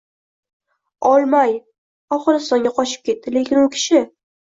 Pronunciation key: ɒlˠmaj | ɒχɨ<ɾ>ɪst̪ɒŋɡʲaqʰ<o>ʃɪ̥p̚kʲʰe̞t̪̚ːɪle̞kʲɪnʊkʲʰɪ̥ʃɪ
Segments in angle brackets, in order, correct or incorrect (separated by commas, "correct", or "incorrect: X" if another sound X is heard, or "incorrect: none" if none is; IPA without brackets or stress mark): correct, incorrect: ɒ